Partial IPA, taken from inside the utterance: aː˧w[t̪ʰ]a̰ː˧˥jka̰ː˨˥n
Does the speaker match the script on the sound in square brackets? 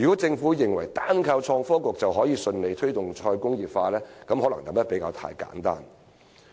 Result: yes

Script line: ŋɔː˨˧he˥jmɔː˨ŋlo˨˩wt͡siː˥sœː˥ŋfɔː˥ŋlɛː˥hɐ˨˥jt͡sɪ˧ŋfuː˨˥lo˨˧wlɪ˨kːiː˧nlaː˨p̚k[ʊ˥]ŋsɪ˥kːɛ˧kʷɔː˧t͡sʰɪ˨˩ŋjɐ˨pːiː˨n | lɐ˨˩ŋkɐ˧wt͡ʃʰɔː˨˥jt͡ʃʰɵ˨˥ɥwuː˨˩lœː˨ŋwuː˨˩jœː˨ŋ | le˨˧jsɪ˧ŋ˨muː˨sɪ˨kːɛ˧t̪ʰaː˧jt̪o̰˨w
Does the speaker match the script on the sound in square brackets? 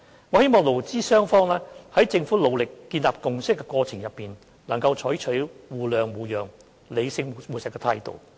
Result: no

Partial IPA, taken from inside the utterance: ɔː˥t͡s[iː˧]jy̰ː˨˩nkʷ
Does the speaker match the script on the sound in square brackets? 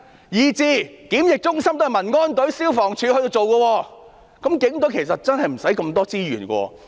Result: no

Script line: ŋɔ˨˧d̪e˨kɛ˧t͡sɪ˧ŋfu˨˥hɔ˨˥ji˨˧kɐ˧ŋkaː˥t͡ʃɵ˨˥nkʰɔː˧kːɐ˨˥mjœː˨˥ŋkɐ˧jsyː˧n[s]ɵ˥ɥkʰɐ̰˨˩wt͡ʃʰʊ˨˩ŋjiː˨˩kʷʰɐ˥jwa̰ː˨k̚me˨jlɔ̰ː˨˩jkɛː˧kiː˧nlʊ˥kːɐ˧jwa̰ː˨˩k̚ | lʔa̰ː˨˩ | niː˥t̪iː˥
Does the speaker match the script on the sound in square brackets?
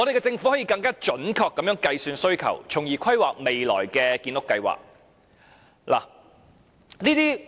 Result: yes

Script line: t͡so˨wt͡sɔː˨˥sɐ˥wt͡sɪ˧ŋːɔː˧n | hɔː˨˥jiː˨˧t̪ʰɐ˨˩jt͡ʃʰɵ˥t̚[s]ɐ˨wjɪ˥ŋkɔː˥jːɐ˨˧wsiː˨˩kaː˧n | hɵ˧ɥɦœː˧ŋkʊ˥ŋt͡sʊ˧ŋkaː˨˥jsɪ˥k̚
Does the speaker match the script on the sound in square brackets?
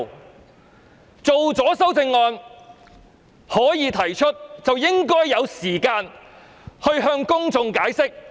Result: no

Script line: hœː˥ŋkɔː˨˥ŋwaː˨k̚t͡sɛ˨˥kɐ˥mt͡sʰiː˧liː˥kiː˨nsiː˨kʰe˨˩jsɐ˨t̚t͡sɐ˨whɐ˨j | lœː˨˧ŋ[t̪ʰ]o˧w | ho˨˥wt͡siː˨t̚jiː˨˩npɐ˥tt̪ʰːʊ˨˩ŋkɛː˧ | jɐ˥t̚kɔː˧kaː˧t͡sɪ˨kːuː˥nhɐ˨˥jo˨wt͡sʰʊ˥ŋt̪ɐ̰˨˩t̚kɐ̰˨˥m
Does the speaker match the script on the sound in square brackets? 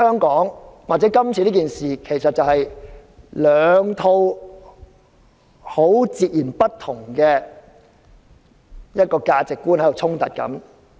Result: yes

